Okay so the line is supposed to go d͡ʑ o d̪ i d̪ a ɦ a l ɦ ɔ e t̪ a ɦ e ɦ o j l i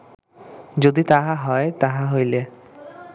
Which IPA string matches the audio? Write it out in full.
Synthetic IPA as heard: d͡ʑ o d̪ i t̪ a ɦ a ɦ ɔ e t̪ a ɦ a ɦ o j l e